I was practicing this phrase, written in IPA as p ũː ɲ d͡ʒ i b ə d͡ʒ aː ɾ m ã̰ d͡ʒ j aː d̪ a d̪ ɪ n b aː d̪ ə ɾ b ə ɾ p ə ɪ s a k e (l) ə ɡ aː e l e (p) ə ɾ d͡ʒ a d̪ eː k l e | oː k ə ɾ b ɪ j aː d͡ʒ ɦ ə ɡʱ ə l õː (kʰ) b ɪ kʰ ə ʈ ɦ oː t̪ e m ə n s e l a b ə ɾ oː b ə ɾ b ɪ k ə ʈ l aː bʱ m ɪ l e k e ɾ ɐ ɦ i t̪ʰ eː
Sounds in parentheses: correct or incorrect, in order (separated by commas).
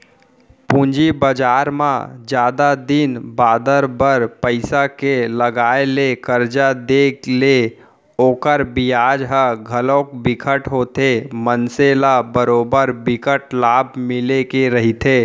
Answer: correct, incorrect, incorrect